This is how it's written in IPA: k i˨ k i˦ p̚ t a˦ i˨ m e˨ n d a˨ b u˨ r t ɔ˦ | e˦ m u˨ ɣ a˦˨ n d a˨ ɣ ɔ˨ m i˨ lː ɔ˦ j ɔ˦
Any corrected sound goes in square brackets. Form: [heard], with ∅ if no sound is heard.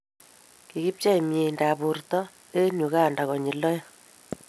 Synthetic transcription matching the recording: k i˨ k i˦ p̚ [t͡ʃ] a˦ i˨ m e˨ n d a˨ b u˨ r t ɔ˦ | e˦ [ɲ] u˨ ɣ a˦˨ n d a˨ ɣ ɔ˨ [ɲ] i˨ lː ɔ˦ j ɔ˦